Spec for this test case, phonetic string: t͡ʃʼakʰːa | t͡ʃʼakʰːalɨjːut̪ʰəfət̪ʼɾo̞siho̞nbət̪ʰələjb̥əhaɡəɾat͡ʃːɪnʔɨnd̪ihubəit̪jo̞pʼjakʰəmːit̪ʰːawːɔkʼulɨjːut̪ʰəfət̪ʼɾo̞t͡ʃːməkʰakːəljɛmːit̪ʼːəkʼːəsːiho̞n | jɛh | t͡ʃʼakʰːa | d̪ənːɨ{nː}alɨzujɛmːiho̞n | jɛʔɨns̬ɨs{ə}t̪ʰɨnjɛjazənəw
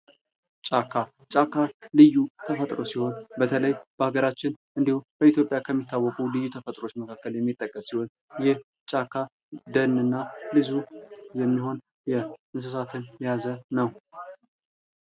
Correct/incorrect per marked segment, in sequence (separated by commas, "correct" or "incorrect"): correct, incorrect